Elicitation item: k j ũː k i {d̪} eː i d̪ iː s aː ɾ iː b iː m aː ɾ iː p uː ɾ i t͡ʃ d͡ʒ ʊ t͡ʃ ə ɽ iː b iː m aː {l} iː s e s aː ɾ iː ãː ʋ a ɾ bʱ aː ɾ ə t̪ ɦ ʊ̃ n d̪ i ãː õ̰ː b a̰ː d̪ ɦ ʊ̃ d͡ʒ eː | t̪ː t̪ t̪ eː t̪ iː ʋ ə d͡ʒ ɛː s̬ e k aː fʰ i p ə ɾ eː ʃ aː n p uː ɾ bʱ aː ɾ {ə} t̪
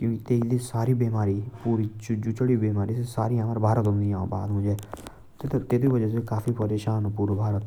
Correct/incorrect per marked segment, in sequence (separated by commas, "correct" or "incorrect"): incorrect, incorrect, correct